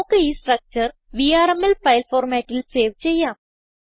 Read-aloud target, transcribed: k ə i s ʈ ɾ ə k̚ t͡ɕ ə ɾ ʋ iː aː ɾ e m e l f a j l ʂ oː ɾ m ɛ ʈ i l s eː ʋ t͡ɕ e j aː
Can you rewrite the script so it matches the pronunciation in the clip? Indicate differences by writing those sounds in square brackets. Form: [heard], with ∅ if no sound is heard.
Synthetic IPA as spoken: k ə i s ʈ ɾ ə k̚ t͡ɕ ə ɾ ʋ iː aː ɾ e m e l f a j l [f] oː ɾ m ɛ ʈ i l s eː ʋ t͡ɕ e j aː